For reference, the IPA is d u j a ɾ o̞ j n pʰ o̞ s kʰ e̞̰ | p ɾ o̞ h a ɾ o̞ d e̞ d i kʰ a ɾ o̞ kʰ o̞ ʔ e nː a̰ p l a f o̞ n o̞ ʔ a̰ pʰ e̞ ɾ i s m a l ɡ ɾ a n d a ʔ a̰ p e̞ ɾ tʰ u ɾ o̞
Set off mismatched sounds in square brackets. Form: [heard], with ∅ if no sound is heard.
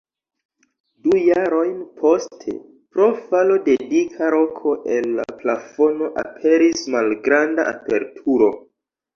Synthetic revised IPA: d u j a ɾ o̞ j n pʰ o̞ s [tʰ] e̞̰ | p ɾ o̞ [f] a [l] o̞ d e̞ d i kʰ a ɾ o̞ kʰ o̞ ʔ e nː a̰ p l a f o̞ n o̞ ʔ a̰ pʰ e̞ ɾ i s m a l ɡ ɾ a n d a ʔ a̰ p e̞ ɾ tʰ u ɾ o̞